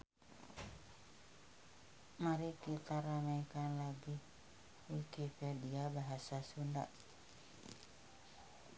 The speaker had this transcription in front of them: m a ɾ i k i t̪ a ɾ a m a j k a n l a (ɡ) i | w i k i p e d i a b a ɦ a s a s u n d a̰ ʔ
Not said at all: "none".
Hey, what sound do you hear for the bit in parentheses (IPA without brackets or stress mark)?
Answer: ɡ